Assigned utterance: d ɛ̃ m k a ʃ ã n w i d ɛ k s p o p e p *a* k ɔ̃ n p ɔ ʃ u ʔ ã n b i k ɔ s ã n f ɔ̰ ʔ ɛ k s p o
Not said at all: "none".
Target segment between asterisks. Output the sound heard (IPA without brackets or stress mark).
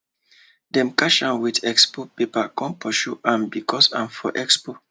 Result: a